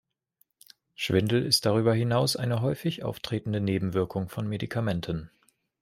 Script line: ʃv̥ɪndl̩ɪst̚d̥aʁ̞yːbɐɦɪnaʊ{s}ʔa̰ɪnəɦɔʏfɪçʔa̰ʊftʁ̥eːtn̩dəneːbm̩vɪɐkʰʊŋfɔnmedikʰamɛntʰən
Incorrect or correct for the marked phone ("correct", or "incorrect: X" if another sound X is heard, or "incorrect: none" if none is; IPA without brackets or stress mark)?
correct